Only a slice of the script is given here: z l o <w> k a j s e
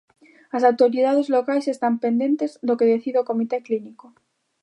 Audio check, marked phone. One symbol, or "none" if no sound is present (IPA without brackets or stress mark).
none